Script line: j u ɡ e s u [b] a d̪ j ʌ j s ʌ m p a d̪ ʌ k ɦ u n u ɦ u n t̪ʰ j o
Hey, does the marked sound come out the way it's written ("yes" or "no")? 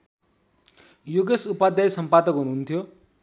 no